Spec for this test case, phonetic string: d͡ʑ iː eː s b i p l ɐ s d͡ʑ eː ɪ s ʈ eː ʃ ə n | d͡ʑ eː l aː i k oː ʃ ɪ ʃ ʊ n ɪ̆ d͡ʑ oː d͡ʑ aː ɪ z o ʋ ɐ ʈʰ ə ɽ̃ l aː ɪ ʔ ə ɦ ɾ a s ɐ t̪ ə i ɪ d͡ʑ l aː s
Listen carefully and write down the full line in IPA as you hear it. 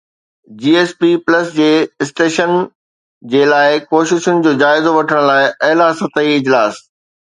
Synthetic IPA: d͡ʑ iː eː s p i p l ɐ s d͡ʑ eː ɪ s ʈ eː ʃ ə n | d͡ʑ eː l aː ɪ k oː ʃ ɪ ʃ ʊ n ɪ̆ d͡ʑ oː d͡ʑ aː ɪ z o ʋ ɐ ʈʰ ə ɽ̃ l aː ɪ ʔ ɐ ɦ l a s ɐ t̪ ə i ɪ d͡ʑ l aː s